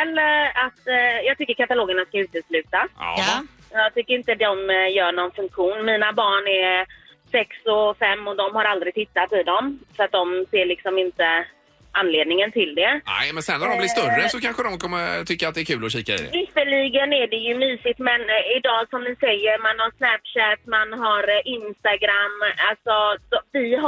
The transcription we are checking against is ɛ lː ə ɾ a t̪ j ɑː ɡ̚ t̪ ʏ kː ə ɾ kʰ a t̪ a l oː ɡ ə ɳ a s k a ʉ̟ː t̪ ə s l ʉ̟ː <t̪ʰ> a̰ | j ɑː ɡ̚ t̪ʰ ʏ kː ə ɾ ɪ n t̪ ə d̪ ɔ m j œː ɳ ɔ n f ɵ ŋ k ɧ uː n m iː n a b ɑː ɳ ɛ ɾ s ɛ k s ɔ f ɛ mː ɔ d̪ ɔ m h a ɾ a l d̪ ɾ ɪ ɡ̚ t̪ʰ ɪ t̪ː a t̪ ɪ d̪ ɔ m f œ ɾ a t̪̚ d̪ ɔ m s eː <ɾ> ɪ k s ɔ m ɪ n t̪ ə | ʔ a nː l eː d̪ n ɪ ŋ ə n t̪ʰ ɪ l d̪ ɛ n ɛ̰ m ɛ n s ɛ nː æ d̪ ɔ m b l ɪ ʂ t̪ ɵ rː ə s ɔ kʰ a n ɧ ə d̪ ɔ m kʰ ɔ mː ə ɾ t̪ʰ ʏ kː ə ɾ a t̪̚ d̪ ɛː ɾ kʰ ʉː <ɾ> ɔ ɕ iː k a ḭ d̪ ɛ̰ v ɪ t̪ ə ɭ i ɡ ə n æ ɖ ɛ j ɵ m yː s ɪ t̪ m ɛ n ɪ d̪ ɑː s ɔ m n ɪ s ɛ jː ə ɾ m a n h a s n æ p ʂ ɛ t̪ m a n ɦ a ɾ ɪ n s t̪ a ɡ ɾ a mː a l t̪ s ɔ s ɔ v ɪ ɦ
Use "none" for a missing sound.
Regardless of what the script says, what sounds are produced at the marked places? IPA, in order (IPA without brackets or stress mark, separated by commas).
t̪, ɭ, l